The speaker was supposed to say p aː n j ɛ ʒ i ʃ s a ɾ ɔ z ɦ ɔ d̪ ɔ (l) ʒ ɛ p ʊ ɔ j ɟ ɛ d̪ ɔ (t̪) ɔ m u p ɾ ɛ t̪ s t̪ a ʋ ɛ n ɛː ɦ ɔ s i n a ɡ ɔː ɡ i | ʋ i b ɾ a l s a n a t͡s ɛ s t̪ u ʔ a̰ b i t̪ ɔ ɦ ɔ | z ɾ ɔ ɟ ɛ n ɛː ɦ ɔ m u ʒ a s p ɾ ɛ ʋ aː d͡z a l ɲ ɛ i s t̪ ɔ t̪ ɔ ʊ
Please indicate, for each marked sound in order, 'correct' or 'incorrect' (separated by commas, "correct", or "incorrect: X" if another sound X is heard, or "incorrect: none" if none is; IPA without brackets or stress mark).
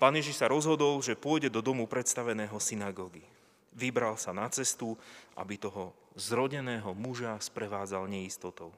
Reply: correct, incorrect: d̪